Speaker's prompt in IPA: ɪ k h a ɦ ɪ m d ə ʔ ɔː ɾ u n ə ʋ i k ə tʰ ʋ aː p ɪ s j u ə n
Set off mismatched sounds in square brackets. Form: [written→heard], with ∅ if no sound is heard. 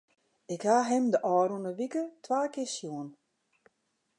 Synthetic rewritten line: ɪ k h a ɦ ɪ m d ə ʔ ɔː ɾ u n ə ʋ i k ə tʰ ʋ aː [p→k] ɪ s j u ə n